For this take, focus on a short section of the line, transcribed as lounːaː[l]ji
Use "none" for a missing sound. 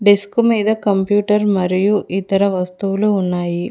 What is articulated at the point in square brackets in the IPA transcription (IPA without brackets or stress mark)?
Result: none